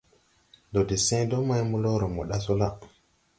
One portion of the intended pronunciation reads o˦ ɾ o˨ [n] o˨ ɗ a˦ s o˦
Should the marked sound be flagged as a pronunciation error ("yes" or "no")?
yes